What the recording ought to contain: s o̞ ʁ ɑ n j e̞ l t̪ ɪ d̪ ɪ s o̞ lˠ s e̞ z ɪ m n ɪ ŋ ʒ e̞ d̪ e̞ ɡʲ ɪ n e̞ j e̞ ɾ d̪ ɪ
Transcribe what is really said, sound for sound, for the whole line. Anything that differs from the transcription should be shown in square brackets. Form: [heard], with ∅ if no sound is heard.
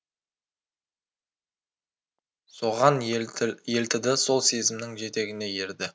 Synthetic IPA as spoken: s o̞ ʁ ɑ n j e̞ l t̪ ɪ d̪ ɪ s o̞ lˠ s e̞ z ɪ m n ɪ ŋ ʒ e̞ [t̪] e̞ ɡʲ ɪ n e̞ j e̞ ɾ d̪ ɪ